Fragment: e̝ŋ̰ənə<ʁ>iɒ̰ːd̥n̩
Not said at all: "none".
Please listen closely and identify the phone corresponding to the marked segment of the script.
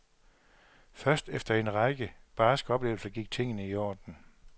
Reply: none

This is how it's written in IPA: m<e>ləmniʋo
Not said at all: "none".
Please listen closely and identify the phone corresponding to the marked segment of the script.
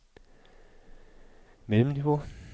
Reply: e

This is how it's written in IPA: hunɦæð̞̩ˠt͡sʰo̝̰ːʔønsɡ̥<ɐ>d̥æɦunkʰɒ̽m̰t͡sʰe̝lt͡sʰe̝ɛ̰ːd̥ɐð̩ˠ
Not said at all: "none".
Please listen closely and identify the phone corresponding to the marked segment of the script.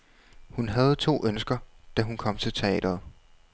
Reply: ɐ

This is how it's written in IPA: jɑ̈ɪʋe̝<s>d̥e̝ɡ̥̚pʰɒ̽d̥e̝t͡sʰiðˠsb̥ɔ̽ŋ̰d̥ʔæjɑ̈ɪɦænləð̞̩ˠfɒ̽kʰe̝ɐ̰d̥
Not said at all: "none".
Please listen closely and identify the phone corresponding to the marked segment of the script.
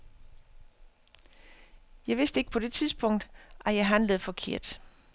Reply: s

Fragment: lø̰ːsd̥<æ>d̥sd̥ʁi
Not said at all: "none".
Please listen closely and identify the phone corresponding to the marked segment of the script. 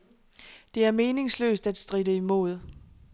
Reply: æ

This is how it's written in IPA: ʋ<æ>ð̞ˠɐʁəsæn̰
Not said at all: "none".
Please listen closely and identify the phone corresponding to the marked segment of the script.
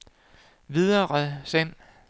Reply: i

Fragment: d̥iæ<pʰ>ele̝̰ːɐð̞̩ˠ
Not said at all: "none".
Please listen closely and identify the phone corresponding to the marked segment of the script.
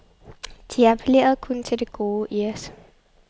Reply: pʰ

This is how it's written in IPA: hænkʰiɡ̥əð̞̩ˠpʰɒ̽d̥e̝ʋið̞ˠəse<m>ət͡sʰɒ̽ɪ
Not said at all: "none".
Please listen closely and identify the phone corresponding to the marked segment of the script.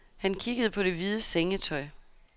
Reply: ŋ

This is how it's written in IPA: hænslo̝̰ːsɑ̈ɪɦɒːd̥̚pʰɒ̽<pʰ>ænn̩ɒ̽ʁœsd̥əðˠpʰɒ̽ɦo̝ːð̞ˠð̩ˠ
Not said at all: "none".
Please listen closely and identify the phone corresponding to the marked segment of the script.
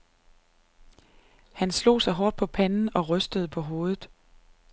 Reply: pʰ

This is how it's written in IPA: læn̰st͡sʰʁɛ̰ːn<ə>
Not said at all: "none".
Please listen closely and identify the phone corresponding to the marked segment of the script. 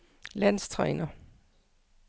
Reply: ɐ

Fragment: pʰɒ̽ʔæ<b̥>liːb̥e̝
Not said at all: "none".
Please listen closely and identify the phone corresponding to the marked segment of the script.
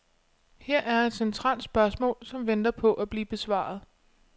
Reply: b̥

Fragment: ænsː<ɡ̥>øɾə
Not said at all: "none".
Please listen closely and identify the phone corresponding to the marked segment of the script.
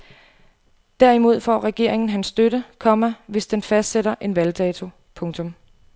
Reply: d̥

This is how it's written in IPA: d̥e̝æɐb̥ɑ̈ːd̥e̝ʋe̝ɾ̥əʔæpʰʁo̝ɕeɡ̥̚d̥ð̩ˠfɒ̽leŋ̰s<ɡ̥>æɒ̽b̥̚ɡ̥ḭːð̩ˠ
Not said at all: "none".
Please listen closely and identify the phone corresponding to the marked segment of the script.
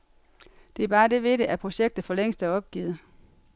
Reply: d̥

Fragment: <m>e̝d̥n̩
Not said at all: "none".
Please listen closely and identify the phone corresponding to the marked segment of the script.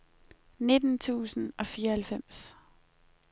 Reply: n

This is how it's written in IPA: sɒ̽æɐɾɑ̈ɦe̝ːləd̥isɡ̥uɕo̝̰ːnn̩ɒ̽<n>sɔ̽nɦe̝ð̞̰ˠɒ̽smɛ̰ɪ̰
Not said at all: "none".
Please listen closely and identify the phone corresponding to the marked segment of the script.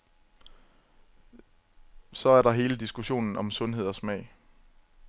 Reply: m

